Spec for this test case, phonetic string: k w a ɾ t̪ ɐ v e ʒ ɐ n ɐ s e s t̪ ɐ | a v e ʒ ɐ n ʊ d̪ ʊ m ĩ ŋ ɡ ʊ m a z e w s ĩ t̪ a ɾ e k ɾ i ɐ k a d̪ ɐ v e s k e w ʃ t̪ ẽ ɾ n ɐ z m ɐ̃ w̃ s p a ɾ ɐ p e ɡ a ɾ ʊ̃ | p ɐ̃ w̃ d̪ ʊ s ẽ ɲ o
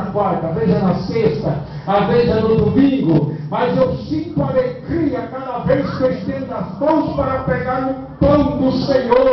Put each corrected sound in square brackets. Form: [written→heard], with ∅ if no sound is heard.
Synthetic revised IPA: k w a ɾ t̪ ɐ v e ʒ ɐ n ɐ s e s t̪ ɐ | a v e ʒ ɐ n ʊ d̪ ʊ m ĩ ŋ ɡ ʊ m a z e w s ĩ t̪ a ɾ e k ɾ i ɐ k a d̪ ɐ v e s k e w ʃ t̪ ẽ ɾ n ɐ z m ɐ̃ w̃ s p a ɾ ɐ p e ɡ a ɾ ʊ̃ | p ɐ̃ w̃ d̪ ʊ s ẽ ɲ o